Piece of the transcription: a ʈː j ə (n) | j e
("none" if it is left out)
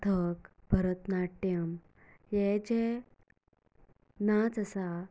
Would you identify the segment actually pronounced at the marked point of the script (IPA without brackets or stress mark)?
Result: m